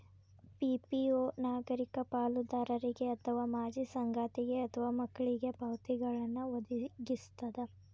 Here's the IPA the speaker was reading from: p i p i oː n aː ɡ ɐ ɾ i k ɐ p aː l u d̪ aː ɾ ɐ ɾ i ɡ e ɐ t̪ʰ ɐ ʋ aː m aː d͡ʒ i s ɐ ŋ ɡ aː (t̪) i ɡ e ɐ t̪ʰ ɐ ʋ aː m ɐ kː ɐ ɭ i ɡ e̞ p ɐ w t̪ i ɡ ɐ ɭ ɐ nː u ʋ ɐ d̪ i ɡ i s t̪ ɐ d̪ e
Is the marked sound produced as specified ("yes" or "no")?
yes